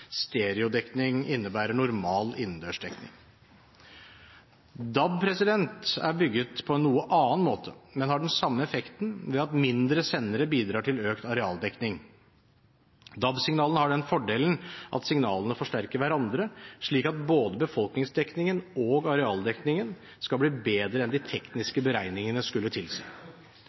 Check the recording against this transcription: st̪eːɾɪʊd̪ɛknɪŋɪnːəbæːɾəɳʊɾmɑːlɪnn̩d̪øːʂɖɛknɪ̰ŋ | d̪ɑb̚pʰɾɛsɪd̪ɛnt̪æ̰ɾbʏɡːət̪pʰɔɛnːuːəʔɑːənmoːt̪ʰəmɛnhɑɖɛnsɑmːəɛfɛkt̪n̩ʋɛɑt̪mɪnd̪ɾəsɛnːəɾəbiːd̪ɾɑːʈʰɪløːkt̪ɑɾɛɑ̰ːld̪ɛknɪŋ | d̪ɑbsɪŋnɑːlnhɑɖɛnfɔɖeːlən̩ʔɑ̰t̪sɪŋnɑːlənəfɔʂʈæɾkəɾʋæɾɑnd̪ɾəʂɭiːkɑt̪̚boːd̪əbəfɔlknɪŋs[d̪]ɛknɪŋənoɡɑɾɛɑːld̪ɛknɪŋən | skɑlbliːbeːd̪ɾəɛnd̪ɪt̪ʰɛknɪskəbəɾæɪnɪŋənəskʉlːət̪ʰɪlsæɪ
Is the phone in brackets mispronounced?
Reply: no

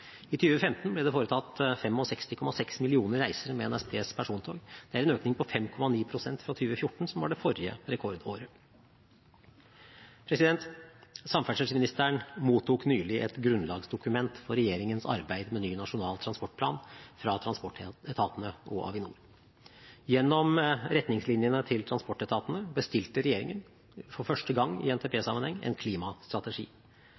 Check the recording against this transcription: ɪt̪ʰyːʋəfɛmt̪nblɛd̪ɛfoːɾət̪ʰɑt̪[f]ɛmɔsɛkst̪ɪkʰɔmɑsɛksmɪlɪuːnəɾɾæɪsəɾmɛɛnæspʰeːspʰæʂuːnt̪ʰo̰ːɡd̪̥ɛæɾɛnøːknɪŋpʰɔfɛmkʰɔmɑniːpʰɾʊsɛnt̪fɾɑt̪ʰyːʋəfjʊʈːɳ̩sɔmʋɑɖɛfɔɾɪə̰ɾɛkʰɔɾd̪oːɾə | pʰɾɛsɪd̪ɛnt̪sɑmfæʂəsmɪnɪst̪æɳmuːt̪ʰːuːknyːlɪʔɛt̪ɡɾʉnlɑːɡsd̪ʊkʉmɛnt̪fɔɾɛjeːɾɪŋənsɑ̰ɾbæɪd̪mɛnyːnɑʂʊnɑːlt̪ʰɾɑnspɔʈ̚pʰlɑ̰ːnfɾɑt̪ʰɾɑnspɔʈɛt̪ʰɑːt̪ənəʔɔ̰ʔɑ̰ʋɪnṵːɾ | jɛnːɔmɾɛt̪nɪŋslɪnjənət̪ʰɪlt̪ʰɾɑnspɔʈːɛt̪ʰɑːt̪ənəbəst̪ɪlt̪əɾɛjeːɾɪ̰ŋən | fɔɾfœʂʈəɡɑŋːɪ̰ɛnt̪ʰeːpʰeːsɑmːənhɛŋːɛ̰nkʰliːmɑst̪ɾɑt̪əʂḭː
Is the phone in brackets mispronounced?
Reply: no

